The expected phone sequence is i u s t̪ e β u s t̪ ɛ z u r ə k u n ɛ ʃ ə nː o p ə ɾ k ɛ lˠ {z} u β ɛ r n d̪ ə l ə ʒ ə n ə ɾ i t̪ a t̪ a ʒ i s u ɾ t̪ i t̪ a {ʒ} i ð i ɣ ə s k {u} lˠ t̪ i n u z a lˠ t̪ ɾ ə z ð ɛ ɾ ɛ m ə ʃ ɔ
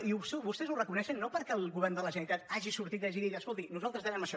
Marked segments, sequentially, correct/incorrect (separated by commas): incorrect, correct, incorrect